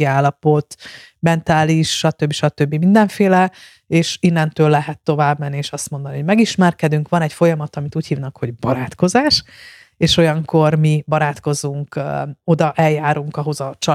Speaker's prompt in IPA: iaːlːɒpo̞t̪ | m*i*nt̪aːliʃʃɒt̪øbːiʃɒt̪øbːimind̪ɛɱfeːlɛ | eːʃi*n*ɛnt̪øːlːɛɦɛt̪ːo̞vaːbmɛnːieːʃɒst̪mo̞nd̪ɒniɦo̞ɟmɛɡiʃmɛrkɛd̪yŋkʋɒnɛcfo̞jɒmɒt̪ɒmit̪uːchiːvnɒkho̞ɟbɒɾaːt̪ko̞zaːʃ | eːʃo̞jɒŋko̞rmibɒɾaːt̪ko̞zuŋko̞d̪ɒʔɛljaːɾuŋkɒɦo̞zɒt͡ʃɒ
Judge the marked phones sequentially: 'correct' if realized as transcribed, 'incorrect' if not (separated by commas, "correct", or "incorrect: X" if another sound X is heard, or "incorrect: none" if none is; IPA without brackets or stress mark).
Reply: incorrect: ɛ, incorrect: nː